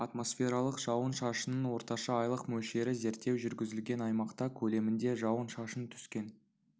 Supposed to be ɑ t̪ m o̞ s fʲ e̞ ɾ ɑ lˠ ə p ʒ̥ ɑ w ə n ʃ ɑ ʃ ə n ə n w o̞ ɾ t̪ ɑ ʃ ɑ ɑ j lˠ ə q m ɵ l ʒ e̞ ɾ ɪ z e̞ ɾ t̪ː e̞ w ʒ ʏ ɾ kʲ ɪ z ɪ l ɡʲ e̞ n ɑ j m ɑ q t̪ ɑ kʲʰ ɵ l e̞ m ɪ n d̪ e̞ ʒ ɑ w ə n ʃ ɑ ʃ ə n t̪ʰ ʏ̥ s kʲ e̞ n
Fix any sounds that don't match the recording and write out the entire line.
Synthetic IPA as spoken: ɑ t̪ m o̞ s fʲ e̞ ɾ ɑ lˠ ə q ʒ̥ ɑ w ə n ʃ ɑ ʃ ə n ə n w o̞ ɾ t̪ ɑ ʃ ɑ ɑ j lˠ ə q m ɵ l ʃ e̞ ɾ ɪ z e̞ ɾ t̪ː e̞ w ʒ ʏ ɾ ɡʲ ɪ z ɪ l ɡʲ e̞ n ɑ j m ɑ q t̪ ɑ kʲʰ ɵ l e̞ m ɪ n d̪ e̞ ʒ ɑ w ə n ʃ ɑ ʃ ə n t̪ʰ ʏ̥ s kʲ e̞ n